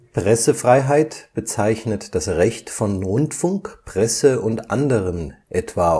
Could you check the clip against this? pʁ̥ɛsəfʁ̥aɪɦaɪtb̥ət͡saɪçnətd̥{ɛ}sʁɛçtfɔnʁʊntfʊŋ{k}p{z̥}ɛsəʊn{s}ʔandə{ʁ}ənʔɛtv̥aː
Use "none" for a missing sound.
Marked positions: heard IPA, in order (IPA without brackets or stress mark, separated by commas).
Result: a, k, ʁ̥, t, ʁ